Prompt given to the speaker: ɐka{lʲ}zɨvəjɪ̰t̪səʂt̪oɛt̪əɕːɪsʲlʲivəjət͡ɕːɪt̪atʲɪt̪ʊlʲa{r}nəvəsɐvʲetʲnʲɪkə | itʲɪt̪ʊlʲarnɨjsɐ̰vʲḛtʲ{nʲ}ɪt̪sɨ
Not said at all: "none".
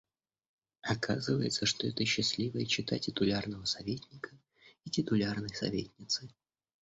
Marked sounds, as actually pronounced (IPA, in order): none, r, nʲ

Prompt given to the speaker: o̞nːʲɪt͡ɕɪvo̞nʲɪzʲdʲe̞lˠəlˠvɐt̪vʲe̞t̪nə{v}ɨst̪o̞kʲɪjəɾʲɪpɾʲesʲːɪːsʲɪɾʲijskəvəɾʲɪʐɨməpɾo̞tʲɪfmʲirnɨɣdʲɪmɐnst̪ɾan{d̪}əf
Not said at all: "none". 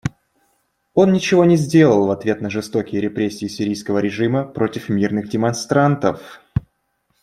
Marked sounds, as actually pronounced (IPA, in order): ʐ, t̪

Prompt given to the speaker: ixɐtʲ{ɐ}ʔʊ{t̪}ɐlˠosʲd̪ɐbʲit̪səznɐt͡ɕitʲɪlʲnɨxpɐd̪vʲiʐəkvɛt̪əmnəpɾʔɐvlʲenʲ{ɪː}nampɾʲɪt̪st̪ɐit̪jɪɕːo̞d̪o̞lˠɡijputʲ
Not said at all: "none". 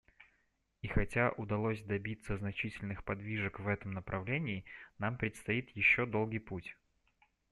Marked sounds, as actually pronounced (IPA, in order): a, d̪, ɪː

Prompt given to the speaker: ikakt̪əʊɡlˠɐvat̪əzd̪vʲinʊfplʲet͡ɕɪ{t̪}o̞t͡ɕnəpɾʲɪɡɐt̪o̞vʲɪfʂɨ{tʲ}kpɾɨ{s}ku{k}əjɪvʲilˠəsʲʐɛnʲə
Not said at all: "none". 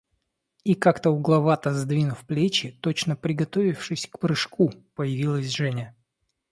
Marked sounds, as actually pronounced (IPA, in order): t̪, sʲ, ʂ, p

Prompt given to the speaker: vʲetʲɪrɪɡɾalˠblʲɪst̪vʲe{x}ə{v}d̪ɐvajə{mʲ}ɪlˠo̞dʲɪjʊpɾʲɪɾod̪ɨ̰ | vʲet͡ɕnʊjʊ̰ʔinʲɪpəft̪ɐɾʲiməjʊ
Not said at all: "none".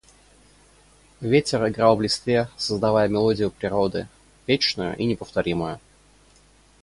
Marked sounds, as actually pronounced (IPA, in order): s, z, mʲ

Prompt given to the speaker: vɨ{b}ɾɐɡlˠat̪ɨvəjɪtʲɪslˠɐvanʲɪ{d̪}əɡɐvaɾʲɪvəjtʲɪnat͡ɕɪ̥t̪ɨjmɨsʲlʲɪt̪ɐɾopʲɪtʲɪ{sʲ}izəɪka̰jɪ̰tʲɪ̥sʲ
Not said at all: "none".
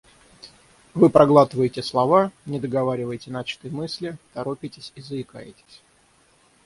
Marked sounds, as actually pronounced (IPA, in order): p, d̪, sʲ

